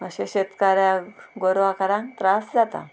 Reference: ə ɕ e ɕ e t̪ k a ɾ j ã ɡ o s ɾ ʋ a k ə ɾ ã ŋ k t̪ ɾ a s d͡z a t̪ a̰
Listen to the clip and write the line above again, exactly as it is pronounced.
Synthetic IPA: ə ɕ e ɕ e t̪ k a ɾ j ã ɡ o ɾ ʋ a k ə ɾ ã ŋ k t̪ ɾ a s d͡z a t̪ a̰